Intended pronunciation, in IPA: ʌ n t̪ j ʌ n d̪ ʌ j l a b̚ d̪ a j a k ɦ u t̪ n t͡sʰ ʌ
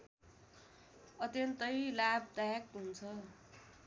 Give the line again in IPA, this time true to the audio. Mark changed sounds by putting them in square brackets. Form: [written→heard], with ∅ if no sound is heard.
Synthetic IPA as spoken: ʌ [n→∅] t̪ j ʌ n [d̪→t̪] ʌ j l a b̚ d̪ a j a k ɦ u [t̪→∅] n t͡sʰ ʌ